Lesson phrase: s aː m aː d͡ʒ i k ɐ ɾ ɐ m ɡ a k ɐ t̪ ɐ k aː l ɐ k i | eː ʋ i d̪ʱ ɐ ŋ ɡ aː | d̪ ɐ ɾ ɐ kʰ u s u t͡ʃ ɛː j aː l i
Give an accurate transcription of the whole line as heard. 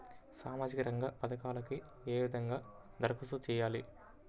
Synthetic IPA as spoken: s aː m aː d͡ʒ i k ɐ ɾ ɐ ŋ ɡ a p ɐ d̪ ɐ k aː l ɐ k i | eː ʋ i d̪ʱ ɐ ŋ ɡ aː | d̪ ɐ ɾ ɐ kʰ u s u t͡ʃ ɛː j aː l i